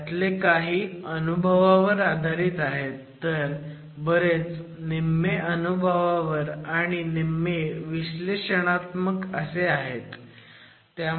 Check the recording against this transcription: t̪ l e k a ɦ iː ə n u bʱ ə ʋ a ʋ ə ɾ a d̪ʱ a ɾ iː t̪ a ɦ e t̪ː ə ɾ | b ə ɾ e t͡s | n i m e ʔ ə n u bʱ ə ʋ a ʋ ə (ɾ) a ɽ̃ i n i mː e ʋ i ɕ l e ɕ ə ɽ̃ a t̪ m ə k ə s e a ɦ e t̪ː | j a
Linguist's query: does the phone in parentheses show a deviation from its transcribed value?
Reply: no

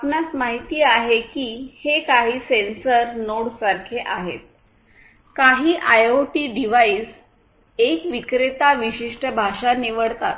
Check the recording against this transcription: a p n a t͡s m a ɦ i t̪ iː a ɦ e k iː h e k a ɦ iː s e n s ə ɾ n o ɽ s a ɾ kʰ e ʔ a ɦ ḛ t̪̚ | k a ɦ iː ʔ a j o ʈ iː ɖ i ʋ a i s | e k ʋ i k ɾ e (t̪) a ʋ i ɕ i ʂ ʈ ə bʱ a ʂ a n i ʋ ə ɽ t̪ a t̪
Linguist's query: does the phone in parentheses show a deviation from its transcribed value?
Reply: no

